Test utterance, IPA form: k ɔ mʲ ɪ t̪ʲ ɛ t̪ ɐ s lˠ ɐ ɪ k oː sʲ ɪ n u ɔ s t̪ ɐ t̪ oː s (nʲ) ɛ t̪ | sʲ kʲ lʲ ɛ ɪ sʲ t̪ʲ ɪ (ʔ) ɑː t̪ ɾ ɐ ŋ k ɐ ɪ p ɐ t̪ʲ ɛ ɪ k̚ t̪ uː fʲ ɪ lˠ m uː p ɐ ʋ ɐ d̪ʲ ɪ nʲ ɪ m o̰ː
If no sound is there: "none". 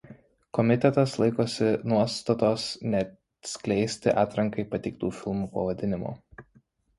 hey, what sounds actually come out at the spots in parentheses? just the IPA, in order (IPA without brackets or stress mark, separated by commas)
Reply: nʲ, ʔ